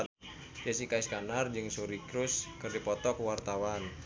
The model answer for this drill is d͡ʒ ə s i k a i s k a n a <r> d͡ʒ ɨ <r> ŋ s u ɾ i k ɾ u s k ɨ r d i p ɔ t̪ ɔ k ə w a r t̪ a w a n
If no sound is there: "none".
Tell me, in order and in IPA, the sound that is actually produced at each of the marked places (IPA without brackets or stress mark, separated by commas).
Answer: r, none